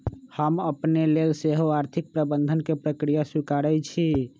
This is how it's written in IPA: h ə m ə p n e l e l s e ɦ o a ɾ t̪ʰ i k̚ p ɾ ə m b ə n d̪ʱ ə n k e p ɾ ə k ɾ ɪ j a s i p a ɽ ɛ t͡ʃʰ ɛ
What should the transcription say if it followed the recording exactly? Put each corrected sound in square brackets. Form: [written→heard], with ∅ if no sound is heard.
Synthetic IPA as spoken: h ə m ə p n e l e l s e ɦ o a ɾ t̪ʰ i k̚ p ɾ ə [m→∅] b ə n d̪ʱ ə n k e p ɾ ə k ɾ [ɪ→i] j a s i [p→k] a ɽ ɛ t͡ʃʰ [ɛ→i]